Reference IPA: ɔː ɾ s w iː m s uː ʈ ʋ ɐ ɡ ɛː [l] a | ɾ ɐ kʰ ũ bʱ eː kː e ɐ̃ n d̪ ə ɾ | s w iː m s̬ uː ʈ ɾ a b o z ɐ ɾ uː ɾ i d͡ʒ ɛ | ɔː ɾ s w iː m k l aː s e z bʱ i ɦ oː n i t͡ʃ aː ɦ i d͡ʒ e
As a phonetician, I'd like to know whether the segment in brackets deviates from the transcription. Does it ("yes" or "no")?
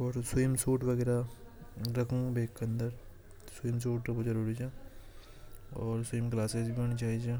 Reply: yes